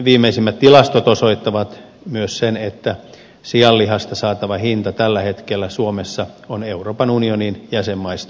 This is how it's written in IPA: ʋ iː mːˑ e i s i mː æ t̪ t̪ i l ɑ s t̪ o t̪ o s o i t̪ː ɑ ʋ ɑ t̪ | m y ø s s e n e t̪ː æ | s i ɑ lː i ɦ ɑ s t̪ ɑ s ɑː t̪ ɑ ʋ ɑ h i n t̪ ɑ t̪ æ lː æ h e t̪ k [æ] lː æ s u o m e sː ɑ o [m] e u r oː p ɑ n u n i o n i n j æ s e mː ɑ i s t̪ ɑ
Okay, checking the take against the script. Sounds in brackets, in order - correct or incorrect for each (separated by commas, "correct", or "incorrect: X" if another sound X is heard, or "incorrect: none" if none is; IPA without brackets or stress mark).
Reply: incorrect: e, incorrect: n